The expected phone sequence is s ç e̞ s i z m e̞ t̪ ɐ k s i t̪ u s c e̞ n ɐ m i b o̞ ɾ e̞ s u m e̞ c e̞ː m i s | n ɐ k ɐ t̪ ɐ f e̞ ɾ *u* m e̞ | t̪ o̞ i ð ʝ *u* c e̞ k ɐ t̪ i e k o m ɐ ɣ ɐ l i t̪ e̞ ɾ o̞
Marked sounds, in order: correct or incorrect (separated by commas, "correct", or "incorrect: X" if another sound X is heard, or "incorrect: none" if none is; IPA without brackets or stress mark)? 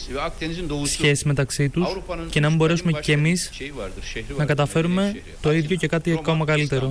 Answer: correct, incorrect: o